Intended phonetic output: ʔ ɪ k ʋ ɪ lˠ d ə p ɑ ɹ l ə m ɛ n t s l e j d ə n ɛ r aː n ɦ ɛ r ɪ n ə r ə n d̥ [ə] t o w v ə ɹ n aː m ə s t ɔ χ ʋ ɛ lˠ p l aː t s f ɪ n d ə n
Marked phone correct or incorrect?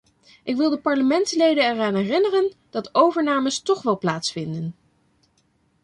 incorrect